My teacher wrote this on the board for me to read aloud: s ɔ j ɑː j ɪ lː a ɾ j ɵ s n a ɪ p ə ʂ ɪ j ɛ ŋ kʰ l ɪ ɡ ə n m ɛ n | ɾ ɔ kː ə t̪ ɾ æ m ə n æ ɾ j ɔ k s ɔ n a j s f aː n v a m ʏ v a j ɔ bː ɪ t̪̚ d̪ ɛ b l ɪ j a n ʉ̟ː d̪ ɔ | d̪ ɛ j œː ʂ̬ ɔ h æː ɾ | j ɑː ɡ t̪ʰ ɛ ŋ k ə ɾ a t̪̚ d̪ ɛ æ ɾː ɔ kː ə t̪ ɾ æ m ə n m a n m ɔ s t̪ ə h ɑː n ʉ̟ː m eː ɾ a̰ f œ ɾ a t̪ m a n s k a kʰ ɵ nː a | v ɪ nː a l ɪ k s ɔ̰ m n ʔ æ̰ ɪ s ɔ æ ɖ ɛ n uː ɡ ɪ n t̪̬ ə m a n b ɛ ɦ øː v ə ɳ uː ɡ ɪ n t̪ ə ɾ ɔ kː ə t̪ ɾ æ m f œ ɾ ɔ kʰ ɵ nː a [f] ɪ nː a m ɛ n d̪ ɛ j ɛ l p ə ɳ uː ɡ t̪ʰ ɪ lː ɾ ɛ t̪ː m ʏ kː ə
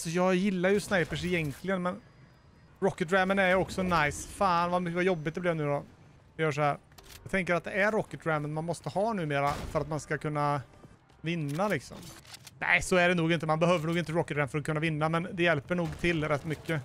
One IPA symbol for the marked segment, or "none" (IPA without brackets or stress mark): v